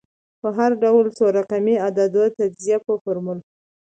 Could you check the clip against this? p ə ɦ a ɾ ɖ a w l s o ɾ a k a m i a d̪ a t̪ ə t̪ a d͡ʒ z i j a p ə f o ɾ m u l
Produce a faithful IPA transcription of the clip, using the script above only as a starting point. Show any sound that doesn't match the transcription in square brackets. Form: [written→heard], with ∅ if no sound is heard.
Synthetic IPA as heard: p ə ɦ a ɾ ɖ a w l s o ɾ a [k→q] a m i a d̪ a [t̪→d̪] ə t̪ a d͡ʒ z i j a p ə f o ɾ m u l

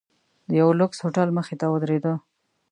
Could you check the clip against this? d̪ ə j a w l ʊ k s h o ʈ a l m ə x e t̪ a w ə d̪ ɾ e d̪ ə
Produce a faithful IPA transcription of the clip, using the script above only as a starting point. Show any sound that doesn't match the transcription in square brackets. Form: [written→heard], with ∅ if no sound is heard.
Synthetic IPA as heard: d̪ ə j a w l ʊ k s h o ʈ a l m ə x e t̪ a w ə d̪ ɾ e d̪ ə

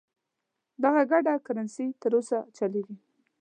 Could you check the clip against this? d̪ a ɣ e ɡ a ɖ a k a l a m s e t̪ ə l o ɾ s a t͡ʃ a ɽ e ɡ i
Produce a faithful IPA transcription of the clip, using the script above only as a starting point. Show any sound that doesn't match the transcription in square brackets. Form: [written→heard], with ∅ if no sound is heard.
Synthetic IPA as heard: d̪ a ɣ [e→a] ɡ a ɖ a k a [l→ɾ] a [m→n] s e t̪ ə [l→ɾ] o [ɾ→∅] s a t͡ʃ a [ɽ→l] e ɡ i

